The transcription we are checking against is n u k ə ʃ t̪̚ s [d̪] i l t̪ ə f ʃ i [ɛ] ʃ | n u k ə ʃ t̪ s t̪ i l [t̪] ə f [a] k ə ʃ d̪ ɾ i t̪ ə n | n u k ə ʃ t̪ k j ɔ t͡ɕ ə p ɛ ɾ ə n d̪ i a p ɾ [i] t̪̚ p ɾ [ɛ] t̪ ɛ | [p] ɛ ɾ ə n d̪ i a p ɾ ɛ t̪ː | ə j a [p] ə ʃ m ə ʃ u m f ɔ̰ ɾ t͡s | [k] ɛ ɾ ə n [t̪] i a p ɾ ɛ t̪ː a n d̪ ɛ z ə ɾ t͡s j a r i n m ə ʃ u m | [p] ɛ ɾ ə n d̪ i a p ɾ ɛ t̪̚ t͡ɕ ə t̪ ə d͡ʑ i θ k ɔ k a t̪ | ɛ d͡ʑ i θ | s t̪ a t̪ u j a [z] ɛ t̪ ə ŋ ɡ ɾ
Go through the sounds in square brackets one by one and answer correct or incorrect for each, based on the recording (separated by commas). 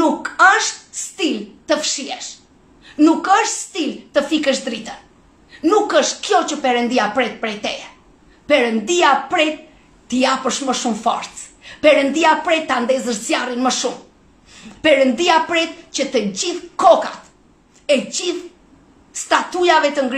incorrect, correct, correct, incorrect, incorrect, correct, correct, correct, incorrect, incorrect, correct, incorrect